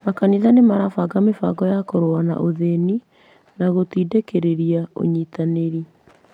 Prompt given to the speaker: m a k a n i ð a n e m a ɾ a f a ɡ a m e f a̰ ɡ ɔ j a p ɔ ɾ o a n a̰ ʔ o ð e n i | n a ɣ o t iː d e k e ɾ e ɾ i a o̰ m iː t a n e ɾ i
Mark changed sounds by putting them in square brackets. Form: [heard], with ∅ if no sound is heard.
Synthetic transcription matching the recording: m a k a n i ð a n e m a ɾ a f a ɡ a m e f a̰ ɡ ɔ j a [k] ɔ ɾ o a n a̰ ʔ o ð e n i | n a ɣ o t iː d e k e ɾ e ɾ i a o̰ [ɲ] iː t a n e ɾ i

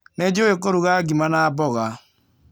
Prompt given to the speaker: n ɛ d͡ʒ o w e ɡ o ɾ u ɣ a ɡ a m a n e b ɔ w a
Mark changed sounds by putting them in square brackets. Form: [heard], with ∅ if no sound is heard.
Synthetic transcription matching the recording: n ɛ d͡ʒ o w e [k] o ɾ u ɣ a ɡ [i] m a n [a] b ɔ [ɣ] a

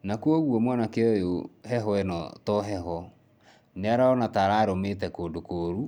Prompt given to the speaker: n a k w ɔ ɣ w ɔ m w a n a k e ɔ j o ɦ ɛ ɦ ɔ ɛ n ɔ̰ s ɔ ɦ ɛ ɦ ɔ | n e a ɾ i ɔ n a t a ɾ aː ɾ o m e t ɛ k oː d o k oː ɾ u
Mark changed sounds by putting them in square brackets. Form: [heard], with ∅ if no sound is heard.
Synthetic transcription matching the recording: n a k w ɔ ɣ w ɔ m w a n a k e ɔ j o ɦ ɛ ɦ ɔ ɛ n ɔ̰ [t] ɔ ɦ ɛ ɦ ɔ | n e a ɾ [a] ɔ n a t a ɾ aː ɾ o m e t ɛ k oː d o k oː ɾ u

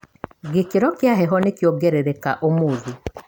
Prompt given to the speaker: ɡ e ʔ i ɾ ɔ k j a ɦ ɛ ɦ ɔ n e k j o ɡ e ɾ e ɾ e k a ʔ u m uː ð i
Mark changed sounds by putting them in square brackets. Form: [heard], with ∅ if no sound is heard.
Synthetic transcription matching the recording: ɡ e [k] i ɾ ɔ k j a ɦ ɛ ɦ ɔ n e k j o ɡ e ɾ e ɾ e k a ʔ [o] m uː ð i

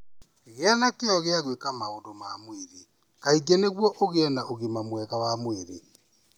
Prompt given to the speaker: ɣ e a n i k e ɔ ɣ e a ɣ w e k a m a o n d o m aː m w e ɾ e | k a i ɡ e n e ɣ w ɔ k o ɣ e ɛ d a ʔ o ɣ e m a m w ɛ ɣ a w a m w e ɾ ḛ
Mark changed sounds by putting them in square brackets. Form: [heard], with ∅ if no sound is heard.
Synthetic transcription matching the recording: ɣ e a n [a] k e ɔ ɣ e a ɣ w e k a m a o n d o m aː m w e ɾ e | k a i ɡ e n e ɣ w ɔ [ʔ] o ɣ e ɛ [n] a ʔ o ɣ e m a m w ɛ ɣ a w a m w e ɾ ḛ

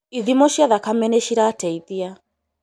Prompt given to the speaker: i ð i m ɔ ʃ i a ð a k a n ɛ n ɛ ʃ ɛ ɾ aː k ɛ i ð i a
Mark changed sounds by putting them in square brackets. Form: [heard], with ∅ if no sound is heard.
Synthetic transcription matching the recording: i ð i m ɔ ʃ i a ð a k a [m] ɛ n ɛ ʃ [i] ɾ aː [t] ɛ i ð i a

